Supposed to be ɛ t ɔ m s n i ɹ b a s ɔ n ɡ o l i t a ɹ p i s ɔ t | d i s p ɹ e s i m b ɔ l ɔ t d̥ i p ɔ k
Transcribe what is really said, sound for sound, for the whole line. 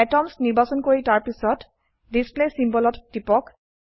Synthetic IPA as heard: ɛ t ɔ m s n i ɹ b a s ɔ n k o ɹ i t a ɹ p i s ɔ t | d i s p l e s i m b ɔ l ɔ t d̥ i p ɔ k